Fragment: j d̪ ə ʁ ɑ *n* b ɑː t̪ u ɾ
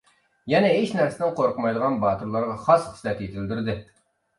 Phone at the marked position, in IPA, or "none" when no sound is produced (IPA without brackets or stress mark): n